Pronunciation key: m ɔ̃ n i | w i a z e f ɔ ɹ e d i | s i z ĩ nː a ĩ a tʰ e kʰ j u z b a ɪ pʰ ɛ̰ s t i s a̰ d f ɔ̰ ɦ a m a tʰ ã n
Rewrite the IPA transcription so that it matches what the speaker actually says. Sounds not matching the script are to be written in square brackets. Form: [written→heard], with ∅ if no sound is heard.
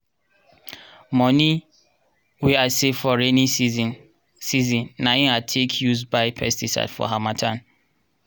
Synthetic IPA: m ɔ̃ n i | w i a [z→s] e f ɔ ɹ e [d→n] i | s i z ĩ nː a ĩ a tʰ e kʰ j u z b a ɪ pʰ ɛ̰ s t i s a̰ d f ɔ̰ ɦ a m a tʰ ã n